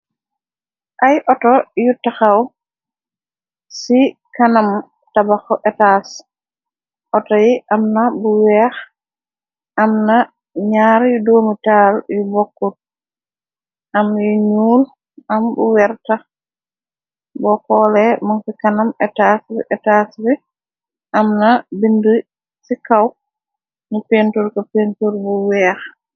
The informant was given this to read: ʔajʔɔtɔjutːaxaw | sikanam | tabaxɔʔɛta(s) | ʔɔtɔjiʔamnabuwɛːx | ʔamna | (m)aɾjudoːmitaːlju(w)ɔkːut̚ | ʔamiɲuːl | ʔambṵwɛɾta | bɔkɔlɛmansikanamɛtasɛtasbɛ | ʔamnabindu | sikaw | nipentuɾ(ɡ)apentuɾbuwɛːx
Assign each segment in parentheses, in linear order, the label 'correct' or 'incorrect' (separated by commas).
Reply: correct, incorrect, incorrect, incorrect